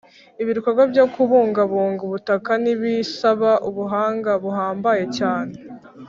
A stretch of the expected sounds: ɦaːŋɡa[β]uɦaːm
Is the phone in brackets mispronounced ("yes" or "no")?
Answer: no